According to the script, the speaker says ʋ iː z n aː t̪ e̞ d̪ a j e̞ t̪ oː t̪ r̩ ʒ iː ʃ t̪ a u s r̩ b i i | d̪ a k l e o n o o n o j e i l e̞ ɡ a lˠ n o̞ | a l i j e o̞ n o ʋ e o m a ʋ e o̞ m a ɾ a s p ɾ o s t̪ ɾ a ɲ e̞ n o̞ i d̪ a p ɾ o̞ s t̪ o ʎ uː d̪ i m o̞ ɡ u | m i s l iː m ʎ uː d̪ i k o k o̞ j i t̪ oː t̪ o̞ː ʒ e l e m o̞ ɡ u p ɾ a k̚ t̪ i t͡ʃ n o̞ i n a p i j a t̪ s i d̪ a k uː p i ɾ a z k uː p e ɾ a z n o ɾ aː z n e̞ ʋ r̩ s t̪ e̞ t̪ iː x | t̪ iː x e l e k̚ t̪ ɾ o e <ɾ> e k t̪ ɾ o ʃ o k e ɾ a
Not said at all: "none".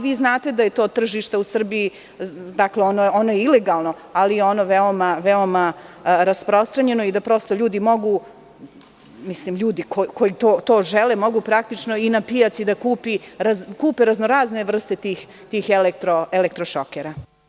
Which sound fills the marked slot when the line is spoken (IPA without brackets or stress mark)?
l